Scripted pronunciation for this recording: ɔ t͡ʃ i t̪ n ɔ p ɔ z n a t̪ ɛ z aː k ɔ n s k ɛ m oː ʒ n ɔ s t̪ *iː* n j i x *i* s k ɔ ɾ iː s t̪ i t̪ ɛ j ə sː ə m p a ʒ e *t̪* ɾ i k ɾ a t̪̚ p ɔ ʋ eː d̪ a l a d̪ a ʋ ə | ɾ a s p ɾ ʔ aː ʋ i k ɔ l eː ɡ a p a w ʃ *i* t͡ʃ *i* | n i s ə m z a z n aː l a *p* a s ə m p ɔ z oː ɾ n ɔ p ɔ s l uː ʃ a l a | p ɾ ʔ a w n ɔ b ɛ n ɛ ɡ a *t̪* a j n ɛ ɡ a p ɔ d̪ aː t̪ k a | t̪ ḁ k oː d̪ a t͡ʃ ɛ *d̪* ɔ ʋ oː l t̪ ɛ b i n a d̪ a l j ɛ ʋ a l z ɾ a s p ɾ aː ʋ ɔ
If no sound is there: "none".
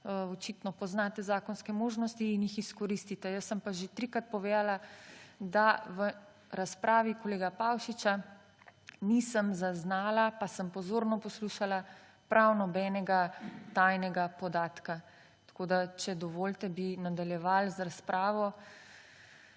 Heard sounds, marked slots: iː, i, t̪, i, a, p, t̪, d̪

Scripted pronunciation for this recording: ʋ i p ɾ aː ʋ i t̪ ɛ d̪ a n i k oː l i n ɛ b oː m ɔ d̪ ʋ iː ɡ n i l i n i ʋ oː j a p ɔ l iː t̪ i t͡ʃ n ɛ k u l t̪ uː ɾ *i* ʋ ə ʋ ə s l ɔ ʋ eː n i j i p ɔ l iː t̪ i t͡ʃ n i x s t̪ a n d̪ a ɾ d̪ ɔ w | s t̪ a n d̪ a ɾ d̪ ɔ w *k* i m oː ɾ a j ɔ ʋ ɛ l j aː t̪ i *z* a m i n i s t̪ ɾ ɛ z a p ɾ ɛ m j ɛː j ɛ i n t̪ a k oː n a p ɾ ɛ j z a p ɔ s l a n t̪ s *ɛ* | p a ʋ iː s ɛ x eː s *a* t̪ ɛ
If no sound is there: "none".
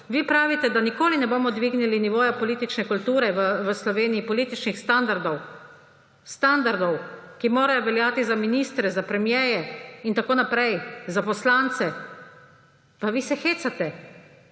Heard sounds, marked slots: ɛ, k, z, ɛ, a

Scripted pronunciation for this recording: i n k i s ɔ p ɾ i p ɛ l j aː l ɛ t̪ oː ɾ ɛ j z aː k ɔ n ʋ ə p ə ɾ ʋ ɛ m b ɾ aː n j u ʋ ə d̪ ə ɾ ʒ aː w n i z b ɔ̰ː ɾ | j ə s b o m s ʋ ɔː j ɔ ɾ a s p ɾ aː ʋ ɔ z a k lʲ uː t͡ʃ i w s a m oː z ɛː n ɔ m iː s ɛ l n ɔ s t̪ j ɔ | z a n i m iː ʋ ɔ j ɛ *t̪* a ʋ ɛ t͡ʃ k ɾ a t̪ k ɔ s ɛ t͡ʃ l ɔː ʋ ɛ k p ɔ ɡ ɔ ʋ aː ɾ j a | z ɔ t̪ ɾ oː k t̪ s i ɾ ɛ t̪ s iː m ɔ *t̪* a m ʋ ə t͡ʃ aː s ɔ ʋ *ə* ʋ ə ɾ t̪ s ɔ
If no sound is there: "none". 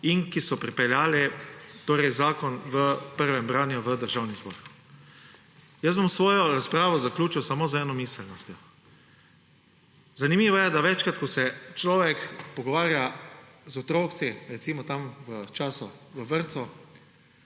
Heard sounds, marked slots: d̪, t̪, ə

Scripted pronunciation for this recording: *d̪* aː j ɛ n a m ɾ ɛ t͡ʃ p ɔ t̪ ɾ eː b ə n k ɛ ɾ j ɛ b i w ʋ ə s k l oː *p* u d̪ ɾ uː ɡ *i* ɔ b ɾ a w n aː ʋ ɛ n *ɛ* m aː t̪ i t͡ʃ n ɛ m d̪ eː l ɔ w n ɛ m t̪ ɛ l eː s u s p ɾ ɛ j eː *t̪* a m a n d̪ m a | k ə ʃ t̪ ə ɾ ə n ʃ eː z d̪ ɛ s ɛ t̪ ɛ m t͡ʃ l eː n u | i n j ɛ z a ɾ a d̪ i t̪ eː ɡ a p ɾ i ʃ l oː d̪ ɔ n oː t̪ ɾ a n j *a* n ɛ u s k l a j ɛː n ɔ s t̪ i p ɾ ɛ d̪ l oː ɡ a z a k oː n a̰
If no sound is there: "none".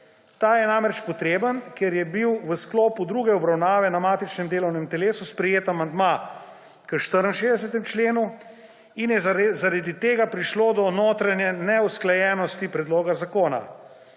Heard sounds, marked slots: t̪, p, ɛ, a, t̪, ɛ

